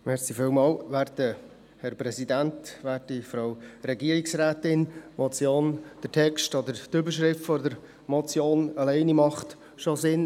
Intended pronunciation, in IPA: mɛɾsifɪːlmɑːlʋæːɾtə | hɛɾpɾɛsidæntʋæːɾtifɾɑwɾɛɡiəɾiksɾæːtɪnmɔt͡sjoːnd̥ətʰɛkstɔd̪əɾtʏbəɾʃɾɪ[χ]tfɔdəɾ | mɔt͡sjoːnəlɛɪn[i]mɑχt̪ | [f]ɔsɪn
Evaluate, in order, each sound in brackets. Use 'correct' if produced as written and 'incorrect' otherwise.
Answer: incorrect, correct, incorrect

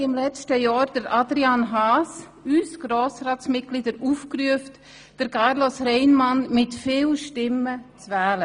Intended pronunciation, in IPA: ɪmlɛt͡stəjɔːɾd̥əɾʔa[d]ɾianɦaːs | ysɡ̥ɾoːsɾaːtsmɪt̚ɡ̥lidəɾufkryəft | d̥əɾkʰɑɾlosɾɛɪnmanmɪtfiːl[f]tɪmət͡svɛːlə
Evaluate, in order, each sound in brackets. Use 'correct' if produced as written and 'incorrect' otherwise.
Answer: correct, incorrect

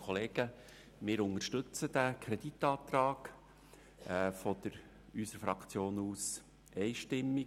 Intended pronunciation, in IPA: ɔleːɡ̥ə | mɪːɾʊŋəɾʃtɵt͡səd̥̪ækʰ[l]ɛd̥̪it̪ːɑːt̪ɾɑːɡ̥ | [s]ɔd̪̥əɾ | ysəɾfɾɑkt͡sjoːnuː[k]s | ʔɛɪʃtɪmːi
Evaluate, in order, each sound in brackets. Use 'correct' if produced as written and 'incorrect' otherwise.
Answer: incorrect, incorrect, incorrect

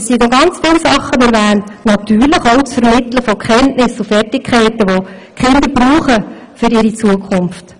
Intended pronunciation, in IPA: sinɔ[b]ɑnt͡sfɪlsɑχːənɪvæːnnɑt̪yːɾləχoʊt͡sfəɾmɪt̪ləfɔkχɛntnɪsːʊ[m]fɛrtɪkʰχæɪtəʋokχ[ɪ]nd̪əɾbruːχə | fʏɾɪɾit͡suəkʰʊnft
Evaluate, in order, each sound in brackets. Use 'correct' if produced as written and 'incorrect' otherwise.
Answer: incorrect, incorrect, correct

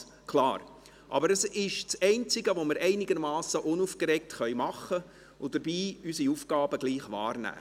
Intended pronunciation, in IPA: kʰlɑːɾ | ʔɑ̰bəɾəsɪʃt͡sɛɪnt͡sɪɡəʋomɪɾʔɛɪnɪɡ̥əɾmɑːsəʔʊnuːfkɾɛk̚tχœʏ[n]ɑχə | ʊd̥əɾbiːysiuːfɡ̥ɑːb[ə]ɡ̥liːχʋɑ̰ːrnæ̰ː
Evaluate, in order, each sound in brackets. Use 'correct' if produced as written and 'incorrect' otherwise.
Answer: incorrect, correct

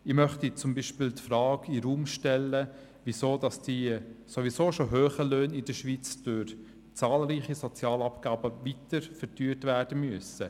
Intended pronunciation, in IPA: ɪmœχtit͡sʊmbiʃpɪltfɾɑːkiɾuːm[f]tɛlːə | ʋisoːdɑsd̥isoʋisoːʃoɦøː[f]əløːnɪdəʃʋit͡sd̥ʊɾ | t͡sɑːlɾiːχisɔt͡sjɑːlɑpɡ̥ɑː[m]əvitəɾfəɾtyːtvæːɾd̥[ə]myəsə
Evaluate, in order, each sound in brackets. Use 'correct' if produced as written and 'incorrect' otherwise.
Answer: incorrect, incorrect, incorrect, correct

